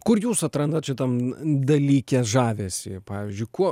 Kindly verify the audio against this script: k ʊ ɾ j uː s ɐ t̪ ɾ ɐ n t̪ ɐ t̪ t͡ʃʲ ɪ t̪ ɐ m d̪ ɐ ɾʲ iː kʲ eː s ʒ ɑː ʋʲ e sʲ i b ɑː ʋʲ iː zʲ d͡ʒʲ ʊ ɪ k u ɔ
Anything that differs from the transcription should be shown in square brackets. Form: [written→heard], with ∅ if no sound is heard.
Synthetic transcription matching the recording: k ʊ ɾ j uː s ɐ t̪ ɾ ɐ n [t̪→d̪] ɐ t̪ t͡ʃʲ ɪ t̪ ɐ m d̪ ɐ [ɾʲ→lʲ] iː kʲ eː s ʒ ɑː ʋʲ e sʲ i [b→p] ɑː ʋʲ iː zʲ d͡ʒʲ ʊ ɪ k u ɔ